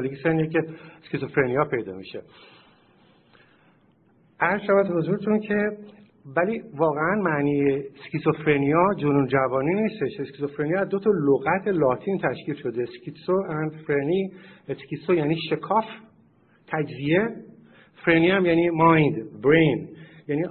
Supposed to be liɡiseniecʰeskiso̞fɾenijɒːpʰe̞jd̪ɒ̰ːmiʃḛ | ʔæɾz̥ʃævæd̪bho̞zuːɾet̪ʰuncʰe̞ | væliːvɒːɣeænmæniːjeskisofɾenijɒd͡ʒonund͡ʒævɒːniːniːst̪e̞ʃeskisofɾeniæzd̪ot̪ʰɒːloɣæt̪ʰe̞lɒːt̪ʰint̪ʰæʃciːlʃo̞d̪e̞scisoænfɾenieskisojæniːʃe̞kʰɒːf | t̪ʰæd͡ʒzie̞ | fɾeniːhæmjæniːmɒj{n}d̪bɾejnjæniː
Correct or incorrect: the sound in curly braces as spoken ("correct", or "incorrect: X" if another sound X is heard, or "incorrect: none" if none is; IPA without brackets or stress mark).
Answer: correct